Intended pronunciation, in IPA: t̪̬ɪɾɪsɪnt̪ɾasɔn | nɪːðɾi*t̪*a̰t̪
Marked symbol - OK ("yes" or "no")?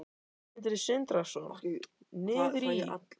no